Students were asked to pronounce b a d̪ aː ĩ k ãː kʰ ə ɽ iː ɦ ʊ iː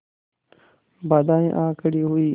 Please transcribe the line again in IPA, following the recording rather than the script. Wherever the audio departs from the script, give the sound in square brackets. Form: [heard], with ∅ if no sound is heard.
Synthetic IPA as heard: b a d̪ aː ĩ [ʔ] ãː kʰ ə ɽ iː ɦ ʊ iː